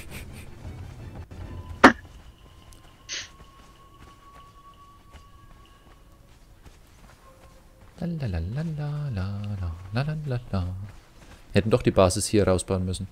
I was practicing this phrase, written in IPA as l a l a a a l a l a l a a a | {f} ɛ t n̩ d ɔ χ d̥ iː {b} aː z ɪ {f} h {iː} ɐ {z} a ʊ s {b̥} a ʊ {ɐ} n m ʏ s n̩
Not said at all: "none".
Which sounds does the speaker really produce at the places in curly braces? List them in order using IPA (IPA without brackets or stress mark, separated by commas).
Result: h, b, s, iː, ʁ, b̥, ə